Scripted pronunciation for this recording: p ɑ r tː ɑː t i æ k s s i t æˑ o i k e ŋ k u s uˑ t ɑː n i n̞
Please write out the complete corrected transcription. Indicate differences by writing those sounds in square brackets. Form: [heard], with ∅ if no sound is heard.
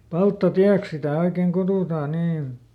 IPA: p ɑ [l] tː [ɑ] t i æ k s s i t æˑ o i k e ŋ k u [t] uˑ t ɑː n [iː] n̞

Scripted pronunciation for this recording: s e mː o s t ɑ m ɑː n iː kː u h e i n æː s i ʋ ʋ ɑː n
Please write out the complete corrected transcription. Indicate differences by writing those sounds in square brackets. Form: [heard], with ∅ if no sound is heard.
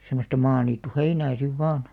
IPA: s e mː o s t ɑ m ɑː n iː [tː] u h e i n æː s i ʋ ʋ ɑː n

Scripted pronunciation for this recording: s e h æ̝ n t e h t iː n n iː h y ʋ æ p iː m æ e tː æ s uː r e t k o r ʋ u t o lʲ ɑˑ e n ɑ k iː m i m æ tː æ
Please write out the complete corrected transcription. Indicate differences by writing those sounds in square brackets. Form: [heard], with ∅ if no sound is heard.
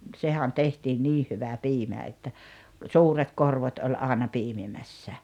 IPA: s e h æ̝ n t e h t iː n n iː h y ʋ æ p iː m æ e tː æ s uː r e t k o r ʋ [o] t o lʲ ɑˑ e n ɑ [p] iː m i m æ [sː] æ

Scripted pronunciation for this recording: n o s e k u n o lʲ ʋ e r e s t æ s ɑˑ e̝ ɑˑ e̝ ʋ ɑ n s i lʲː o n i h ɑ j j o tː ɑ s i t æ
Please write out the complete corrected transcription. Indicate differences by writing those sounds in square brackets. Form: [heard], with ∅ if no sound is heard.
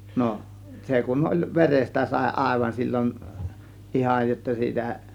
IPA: n o s e k u n o lʲ ʋ e r e s t æ s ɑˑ e̝ ɑˑ e̝ ʋ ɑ n s i lʲː o n i h ɑ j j o tː ɑ s [iː] t æ

